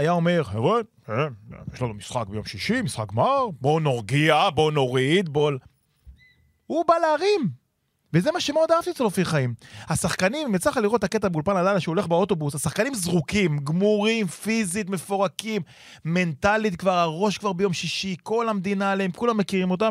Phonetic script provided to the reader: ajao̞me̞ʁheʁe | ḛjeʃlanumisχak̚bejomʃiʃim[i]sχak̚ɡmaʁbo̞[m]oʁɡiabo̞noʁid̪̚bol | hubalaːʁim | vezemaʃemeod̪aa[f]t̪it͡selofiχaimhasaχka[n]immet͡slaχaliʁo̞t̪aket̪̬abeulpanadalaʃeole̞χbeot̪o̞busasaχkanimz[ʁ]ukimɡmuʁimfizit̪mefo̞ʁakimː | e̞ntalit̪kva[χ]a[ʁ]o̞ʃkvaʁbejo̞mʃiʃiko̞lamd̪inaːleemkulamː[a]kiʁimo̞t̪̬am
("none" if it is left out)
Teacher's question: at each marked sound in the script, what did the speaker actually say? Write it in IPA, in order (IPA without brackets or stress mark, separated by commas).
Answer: i, n, f, n, ʁ, ʁ, ʁ, e